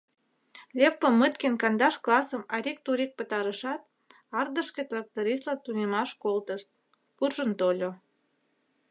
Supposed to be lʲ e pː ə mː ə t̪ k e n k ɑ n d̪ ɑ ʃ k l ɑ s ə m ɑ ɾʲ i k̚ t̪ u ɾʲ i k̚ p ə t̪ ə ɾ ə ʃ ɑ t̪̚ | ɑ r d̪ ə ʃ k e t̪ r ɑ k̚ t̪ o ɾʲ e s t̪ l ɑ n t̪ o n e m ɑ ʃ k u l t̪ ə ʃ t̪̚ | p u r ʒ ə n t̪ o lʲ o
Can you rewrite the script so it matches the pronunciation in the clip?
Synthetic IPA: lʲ e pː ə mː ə t̪ k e n k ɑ n d̪ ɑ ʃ k l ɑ s ə m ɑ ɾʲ i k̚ t̪ u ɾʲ i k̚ p ə t̪ ɑ ɾ ə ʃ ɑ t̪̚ | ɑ r d̪ ə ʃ k e t̪ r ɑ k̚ t̪ o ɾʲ i s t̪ l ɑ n t̪ u n e m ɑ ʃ k o l t̪ ə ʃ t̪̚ | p u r ʒ ə n t̪ o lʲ o